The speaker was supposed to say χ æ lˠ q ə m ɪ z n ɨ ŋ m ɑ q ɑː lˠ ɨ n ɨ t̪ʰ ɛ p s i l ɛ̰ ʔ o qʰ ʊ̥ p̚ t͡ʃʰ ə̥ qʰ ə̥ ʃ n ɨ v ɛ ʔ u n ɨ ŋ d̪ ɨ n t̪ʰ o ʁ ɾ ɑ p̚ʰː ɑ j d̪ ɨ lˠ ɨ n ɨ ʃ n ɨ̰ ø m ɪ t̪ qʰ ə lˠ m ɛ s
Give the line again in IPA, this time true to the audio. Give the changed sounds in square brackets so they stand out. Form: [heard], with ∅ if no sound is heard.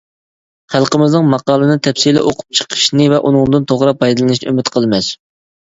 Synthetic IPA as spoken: χ æ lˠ q ə m ɪ z n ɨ ŋ m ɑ q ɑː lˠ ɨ n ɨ t̪ʰ ɛ p s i l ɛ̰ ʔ o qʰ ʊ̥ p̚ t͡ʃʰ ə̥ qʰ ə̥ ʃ n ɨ v ɛ ʔ u n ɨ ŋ d̪ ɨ n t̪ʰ o ʁ ɾ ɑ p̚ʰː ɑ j d̪ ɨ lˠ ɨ n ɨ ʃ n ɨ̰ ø m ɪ t̪ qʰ ə lˠ m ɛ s